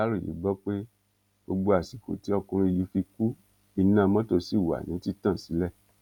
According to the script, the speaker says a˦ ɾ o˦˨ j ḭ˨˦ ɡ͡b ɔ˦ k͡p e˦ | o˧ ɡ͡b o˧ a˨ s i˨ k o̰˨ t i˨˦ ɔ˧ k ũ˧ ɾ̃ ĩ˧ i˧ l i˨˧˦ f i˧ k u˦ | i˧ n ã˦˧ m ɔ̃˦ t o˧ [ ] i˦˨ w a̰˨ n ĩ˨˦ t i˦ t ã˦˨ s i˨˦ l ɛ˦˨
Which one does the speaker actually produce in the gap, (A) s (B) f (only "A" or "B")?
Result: A